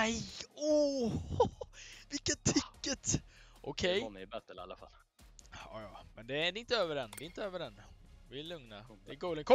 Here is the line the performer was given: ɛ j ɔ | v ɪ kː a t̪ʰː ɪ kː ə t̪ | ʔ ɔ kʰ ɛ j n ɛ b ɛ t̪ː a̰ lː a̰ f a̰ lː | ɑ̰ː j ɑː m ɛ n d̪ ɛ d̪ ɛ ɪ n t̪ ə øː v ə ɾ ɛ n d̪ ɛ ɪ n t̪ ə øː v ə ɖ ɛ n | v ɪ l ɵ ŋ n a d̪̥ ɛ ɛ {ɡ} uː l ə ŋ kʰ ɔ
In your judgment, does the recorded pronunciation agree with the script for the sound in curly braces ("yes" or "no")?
yes